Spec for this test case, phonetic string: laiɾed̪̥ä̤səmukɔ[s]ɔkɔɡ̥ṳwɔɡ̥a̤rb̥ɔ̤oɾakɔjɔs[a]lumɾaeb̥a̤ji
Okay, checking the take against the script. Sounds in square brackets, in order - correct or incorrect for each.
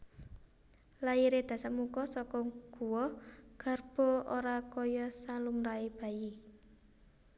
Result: correct, correct

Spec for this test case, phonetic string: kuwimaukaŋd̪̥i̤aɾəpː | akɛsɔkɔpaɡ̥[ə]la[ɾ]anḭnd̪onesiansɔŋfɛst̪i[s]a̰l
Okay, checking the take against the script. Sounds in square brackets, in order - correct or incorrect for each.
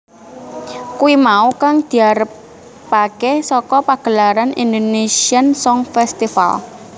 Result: correct, correct, incorrect: f

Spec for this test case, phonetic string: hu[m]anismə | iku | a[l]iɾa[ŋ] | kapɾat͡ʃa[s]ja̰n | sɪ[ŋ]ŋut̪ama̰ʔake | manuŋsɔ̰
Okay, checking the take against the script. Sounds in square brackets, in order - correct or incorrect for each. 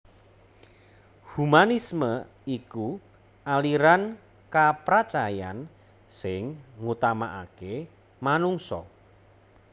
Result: correct, correct, incorrect: n, incorrect: none, correct

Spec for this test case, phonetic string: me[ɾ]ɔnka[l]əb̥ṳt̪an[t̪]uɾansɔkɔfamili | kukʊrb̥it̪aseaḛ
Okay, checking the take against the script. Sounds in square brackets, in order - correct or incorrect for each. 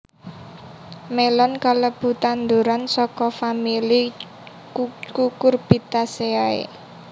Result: incorrect: l, correct, incorrect: d̪

